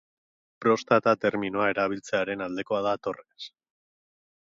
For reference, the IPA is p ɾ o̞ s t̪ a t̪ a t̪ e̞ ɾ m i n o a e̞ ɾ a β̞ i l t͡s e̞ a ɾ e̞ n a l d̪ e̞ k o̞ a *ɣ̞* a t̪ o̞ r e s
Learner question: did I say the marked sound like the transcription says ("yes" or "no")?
no